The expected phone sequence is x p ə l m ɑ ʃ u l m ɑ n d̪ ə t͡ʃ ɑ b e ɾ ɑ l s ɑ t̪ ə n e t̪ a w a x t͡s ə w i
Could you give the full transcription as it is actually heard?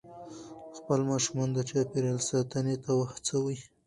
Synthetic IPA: x p ə l m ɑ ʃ u m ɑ n d̪ ə t͡ʃ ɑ p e ɾ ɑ l s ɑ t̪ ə n e t̪ a w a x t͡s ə w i